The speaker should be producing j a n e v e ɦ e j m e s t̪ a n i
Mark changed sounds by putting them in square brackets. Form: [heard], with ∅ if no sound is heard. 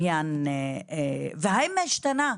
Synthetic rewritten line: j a n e v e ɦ [a] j m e [ʃ] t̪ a n [a]